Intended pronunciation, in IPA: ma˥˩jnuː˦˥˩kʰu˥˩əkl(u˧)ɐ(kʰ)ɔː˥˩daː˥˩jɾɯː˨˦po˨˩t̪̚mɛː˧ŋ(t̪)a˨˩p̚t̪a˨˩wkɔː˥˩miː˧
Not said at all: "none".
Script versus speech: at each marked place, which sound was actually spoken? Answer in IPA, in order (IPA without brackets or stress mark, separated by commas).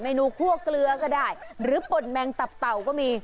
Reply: ɯ˧, k, t̪